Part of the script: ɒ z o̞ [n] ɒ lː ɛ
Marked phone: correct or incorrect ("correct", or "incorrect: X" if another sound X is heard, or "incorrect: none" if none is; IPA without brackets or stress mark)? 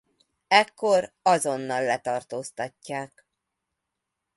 incorrect: nː